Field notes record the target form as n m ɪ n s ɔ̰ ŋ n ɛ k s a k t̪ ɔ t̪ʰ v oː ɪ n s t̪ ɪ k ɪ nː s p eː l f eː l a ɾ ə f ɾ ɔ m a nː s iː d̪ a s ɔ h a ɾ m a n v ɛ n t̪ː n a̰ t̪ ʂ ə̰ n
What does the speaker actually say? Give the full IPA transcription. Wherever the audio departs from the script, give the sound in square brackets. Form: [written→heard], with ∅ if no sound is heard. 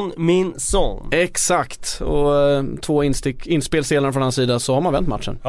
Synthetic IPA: n m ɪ n s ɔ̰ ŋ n ɛ k s a k t̪ ɔ t̪ʰ v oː ɪ n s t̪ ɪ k ɪ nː s p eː l [f→s] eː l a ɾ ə f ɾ ɔ [m→n] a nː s iː d̪ a s ɔ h a ɾ m a n v ɛ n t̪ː [n→m] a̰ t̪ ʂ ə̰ n